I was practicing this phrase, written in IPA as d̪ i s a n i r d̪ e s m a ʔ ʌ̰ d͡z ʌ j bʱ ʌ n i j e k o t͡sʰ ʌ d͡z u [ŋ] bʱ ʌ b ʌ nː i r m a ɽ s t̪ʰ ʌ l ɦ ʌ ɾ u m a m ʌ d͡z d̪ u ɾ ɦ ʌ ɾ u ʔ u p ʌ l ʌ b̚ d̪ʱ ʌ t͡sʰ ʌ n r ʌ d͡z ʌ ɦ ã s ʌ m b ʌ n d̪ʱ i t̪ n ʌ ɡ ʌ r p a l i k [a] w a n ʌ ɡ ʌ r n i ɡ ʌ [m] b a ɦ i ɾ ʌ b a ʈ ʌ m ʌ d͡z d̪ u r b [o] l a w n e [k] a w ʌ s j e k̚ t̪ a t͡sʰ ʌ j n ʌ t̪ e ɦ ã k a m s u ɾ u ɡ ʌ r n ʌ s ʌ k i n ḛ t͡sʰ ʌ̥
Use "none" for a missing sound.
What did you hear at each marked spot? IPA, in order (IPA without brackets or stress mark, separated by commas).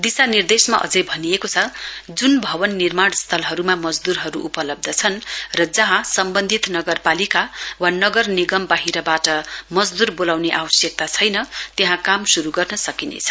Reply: n, a, m, o, ʔ